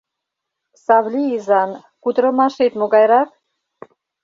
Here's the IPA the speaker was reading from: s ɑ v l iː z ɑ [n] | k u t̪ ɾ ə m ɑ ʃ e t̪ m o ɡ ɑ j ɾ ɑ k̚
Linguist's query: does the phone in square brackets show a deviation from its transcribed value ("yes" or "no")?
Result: no